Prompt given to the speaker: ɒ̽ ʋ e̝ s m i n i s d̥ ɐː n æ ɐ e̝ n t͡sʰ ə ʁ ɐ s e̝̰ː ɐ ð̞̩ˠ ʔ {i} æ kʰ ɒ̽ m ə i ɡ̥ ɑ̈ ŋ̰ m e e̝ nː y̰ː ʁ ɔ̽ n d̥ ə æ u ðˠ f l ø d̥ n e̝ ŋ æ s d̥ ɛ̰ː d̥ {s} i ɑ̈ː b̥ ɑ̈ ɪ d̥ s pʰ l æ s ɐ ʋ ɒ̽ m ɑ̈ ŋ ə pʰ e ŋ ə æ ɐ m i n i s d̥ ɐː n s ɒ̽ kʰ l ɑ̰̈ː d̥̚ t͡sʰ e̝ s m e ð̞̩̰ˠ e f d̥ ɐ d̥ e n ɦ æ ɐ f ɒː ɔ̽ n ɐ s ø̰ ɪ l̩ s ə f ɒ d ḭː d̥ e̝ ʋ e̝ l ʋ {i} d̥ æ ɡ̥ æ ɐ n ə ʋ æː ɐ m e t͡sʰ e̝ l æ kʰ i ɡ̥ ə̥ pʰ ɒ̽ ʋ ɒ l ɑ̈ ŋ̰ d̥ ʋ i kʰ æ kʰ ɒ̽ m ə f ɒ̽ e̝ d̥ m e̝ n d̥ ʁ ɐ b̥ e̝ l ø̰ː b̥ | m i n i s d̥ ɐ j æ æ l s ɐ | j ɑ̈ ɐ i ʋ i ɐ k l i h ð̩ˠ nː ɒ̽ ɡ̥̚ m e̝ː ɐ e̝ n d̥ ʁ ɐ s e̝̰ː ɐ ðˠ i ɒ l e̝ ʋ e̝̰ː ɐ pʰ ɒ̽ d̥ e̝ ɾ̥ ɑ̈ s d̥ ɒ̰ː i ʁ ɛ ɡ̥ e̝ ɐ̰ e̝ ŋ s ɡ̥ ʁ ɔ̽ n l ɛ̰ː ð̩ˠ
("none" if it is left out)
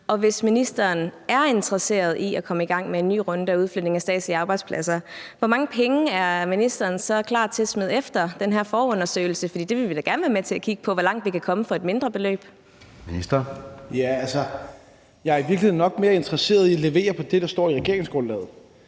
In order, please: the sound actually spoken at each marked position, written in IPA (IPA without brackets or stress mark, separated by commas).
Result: i, s, i